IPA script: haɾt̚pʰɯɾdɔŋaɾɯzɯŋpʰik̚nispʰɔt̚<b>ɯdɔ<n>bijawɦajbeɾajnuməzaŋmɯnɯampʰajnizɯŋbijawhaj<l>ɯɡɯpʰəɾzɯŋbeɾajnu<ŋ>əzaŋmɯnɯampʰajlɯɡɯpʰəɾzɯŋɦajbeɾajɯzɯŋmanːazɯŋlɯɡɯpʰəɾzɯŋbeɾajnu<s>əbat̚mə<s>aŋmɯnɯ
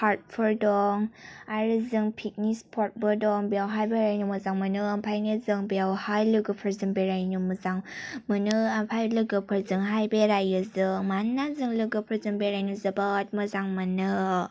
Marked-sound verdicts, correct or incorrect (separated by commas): correct, incorrect, correct, incorrect, incorrect, incorrect